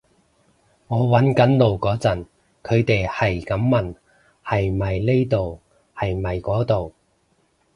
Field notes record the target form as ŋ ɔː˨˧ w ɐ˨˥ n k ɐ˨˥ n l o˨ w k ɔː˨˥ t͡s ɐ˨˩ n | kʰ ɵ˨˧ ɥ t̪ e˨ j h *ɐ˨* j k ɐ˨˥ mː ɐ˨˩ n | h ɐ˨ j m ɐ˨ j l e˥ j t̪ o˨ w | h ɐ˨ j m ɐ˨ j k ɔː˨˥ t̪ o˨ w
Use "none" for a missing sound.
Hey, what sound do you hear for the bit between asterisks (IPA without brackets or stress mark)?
ɐ˨